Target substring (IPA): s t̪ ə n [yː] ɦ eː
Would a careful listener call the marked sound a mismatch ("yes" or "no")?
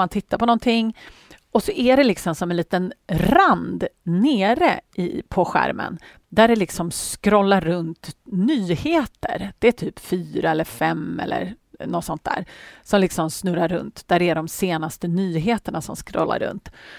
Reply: no